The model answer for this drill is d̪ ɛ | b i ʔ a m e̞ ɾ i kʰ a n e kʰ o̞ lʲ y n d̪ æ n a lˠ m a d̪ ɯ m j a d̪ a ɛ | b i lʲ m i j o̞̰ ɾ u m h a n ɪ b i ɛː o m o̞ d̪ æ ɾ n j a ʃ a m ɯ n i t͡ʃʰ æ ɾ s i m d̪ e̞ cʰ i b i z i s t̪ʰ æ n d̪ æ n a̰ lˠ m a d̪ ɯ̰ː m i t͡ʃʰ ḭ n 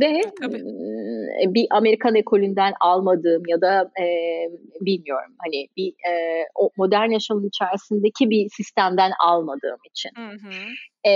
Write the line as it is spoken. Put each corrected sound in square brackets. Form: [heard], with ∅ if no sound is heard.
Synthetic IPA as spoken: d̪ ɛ | b i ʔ a m e̞ ɾ i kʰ a n e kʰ o̞ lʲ y n d̪ æ n a lˠ m a d̪ [ɯː] m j a d̪ a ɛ | b i lʲ m i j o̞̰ ɾ u m h a n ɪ b i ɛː o m o̞ d̪ æ ɾ n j a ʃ a m ɯ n i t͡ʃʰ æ ɾ s i [n] d̪ e̞ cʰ i b i [s] i s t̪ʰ æ [m] d̪ æ n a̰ lˠ m a d̪ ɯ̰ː m i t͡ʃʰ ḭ n